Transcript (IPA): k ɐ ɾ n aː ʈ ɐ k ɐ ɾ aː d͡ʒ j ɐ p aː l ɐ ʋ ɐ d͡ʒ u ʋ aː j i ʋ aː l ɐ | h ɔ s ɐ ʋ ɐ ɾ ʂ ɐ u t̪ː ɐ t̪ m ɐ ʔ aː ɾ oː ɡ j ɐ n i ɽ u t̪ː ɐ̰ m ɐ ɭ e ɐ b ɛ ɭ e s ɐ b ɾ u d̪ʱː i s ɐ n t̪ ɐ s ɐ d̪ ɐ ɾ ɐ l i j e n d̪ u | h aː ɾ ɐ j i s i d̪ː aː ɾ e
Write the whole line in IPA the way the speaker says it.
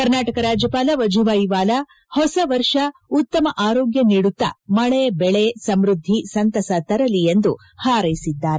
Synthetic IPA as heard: k ɐ ɾ n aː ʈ ɐ k ɐ ɾ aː d͡ʒ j ɐ p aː l ɐ ʋ ɐ d͡ʒ u ʋ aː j i ʋ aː l ɐ | h ɔ s ɐ ʋ ɐ ɾ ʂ ɐ u t̪ː ɐ m ɐ ʔ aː ɾ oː ɡ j ɐ n i ɽ u t̪ː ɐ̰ m ɐ ɭ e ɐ b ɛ ɭ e s ɐ m ɾ u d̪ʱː i s ɐ n t̪ ɐ s ɐ t̪ ɐ ɾ ɐ l i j e n d̪ u | h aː ɾ ɐ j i s i d̪ː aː ɾ e

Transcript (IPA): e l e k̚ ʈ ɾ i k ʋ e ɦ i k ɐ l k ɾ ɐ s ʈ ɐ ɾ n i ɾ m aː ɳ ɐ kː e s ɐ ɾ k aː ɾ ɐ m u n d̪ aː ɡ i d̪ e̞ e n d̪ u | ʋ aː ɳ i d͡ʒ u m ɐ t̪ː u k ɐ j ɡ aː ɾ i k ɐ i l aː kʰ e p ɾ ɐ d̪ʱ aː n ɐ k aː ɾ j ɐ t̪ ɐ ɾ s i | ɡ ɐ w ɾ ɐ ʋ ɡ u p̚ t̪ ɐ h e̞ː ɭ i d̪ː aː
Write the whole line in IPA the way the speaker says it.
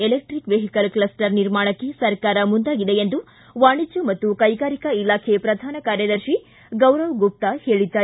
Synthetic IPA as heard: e l e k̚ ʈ ɾ i k ʋ e ɦ i k ɐ l k l ɐ s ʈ ɐ ɾ n i ɾ m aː ɳ ɐ kː e s ɐ ɾ k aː ɾ ɐ m u n d̪ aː ɡ i d̪ e̞ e n d̪ u | ʋ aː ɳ i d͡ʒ u m ɐ t̪ː u k ɐ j ɡ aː ɾ i k ɐ i l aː kʰ e p ɾ ɐ d̪ʱ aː n ɐ k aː ɾ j ɐ d̪ ɐ ɾ ʃ i | ɡ ɐ w ɾ ɐ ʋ ɡ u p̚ t̪ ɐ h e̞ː ɭ i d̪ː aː

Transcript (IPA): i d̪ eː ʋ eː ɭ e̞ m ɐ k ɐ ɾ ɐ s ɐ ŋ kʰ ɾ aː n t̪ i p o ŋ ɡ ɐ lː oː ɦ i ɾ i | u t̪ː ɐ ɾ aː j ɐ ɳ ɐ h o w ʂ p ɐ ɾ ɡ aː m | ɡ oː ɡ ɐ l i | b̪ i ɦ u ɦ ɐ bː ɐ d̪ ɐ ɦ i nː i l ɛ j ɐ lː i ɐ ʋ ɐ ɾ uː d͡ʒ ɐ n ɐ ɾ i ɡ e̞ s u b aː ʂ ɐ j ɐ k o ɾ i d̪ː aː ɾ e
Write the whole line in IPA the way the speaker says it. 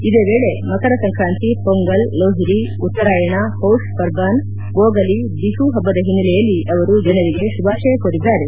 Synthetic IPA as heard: i d̪ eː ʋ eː ɭ e̞ m ɐ k ɐ ɾ ɐ s ɐ ŋ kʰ ɾ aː n t̪ i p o ŋ ɡ ɐ lː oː ɦ i ɾ i | u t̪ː ɐ ɾ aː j ɐ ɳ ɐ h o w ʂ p ɐ ɾ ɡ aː n | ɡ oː ɡ ɐ l i | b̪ i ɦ u ɦ ɐ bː ɐ d̪ ɐ ɦ i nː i l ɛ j ɐ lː i ɐ ʋ ɐ ɾ u d͡ʒ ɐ n ɐ ɾ i ɡ e̞ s u b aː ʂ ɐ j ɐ k o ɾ i d̪ː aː ɾ e

